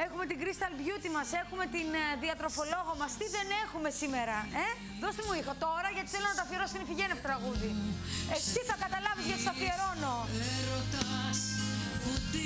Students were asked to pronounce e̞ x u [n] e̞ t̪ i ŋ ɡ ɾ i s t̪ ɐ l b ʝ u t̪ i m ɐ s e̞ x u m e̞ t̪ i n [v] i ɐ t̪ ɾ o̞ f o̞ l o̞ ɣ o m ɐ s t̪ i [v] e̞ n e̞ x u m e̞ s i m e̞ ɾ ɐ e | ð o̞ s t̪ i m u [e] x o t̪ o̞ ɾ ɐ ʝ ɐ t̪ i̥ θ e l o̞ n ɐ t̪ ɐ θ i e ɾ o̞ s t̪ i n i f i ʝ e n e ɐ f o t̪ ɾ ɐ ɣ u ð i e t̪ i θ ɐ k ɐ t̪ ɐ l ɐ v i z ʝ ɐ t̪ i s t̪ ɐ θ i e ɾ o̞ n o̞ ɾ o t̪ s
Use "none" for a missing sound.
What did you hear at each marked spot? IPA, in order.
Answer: m, ð, ð, i

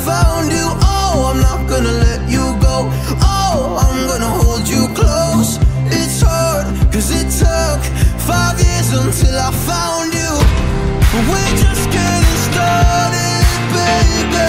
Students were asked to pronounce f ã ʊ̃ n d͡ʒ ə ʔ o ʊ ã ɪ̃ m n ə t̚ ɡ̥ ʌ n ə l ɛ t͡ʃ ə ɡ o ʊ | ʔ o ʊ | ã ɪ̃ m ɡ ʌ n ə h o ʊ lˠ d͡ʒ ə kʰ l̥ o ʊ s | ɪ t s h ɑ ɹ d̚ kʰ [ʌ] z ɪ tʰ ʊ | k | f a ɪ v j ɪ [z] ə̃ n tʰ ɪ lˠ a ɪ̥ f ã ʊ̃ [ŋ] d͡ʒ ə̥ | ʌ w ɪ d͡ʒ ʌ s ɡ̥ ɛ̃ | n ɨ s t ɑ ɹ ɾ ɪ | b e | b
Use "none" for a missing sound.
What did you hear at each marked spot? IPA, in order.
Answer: ʌ, z, n

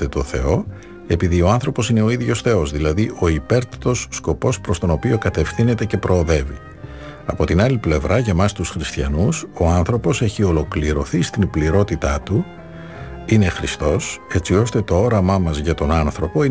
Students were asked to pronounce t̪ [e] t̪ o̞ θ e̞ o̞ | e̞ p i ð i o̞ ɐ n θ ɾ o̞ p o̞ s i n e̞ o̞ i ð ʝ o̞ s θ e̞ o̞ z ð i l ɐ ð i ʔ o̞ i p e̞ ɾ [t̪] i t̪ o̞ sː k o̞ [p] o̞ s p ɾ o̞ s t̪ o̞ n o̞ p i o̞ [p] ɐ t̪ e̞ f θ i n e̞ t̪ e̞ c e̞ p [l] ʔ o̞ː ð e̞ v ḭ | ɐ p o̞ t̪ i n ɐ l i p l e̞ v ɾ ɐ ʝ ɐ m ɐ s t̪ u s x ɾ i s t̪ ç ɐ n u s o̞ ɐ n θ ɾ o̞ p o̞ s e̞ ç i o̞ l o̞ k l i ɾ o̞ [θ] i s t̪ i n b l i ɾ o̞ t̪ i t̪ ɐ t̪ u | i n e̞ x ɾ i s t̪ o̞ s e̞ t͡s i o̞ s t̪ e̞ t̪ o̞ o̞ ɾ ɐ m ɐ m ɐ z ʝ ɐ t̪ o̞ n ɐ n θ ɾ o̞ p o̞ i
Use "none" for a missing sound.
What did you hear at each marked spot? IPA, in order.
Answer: e, t̪, p, k, ɾ, θ

